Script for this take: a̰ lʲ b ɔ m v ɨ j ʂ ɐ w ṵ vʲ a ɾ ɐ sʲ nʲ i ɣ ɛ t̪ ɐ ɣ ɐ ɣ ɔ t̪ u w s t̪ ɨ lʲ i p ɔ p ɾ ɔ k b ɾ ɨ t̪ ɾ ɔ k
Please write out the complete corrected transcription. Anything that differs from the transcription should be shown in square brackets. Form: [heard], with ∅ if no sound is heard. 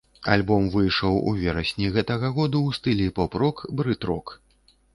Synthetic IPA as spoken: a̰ lʲ b ɔ m v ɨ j ʂ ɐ w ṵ vʲ [ɛ] ɾ ɐ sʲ nʲ i ɣ ɛ t̪ ɐ ɣ ɐ ɣ ɔ [d̪] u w s t̪ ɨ lʲ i p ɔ p ɾ ɔ k b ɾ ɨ t̪ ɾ ɔ k